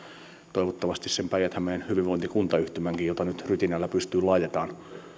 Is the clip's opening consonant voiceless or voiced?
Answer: voiceless